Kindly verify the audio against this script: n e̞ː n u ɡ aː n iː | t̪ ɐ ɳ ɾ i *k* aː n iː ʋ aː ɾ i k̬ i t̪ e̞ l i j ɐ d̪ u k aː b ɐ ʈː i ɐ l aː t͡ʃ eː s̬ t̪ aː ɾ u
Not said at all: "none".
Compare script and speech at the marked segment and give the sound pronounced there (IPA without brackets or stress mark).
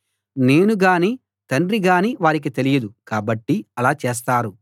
ɡ